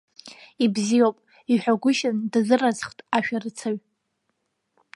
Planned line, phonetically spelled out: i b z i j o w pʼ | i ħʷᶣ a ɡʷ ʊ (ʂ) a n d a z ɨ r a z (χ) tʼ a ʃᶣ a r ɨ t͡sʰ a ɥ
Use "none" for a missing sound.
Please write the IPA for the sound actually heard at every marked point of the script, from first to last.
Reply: ʃ, χ

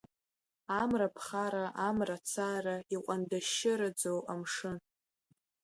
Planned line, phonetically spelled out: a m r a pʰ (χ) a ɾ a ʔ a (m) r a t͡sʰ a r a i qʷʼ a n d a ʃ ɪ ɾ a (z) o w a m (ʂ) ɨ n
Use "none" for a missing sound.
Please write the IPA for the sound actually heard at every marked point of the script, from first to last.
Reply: χ, m, d͡z, ʂ

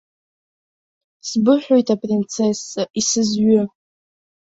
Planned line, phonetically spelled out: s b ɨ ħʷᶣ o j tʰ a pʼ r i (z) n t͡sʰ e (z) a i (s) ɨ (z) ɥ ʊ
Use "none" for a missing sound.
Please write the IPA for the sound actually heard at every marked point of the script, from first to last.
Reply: none, s, s, z

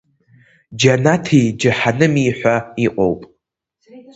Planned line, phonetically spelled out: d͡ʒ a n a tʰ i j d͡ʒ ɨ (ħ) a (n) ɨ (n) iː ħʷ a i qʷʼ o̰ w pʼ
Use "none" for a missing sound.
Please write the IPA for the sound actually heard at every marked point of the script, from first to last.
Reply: ħ, n, m

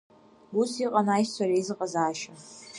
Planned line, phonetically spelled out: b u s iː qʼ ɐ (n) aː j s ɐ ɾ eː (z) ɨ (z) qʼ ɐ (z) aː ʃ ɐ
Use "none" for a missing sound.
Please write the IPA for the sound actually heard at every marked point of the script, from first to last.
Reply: n, z, none, z

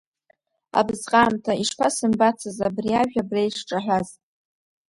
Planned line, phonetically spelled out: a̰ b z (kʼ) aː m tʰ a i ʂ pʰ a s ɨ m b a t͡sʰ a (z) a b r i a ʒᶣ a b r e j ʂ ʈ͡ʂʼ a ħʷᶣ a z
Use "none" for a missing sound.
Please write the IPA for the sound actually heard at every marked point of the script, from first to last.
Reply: qʼ, z

